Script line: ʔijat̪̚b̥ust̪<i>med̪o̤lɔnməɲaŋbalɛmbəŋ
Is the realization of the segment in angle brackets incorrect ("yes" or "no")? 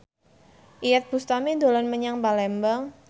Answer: yes